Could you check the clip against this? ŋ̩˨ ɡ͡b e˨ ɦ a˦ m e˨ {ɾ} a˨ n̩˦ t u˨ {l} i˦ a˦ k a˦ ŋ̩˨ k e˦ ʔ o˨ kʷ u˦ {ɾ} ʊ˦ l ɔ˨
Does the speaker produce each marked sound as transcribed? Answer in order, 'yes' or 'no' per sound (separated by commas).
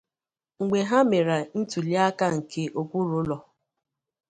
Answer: yes, yes, yes